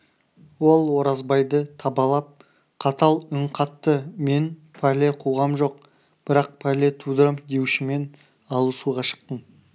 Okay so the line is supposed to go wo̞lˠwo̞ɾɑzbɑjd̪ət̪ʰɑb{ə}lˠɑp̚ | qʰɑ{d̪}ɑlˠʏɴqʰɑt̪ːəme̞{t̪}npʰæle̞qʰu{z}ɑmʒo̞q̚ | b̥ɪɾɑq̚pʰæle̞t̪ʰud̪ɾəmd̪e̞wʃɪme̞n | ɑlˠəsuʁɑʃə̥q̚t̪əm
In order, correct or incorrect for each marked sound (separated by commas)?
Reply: incorrect, incorrect, incorrect, incorrect